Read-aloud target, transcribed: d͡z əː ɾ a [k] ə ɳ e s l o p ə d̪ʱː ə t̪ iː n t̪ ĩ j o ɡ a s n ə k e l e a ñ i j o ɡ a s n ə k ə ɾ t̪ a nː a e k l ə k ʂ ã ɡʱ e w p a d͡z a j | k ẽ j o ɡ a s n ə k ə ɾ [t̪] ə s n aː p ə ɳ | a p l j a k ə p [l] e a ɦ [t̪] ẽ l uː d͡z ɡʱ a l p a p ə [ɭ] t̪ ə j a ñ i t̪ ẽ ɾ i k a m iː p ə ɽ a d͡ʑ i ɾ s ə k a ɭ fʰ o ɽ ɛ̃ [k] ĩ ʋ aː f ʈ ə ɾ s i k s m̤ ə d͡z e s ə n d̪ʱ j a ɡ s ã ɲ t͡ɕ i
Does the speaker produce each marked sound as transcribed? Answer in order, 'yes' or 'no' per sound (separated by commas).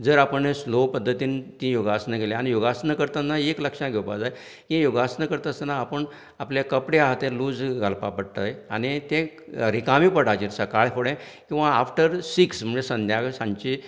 no, yes, no, yes, no, yes